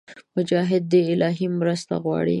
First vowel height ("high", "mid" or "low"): high